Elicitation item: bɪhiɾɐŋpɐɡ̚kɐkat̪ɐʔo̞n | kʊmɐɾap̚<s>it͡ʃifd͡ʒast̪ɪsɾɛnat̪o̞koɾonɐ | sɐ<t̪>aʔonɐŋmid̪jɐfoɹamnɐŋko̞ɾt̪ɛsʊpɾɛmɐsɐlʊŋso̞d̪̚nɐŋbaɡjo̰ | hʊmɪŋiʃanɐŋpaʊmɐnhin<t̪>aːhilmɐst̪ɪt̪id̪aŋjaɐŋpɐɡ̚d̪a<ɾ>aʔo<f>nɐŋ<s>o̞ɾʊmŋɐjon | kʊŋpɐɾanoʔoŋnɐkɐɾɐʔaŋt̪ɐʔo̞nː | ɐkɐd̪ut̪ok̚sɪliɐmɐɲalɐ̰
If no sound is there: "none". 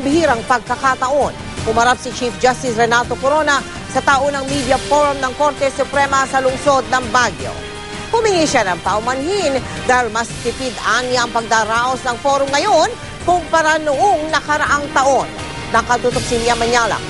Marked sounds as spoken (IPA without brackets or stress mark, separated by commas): s, t̪, d̪, ɾ, s, f